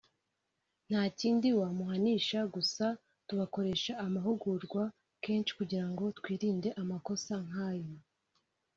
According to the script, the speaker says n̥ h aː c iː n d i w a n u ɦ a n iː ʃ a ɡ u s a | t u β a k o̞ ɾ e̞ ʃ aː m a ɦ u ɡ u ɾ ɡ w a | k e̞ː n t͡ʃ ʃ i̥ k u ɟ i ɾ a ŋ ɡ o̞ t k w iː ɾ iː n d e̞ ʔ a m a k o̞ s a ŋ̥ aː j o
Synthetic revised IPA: n̥ h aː c iː n d i w a m u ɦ a n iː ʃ a ɡ u s a | t u β a k o̞ ɾ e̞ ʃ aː m a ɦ u ɡ u ɾ ɡ w a | k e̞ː n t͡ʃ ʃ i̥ k u ɟ i ɾ a ŋ ɡ o̞ t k w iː ɾ iː n d e̞ ʔ a m a k o̞ s a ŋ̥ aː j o